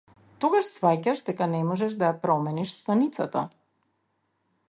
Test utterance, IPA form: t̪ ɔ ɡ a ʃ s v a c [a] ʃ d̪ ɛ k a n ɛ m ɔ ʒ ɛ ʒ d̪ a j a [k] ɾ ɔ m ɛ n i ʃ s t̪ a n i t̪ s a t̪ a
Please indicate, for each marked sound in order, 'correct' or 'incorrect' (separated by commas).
correct, incorrect